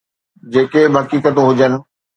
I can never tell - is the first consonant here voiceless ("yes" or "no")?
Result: no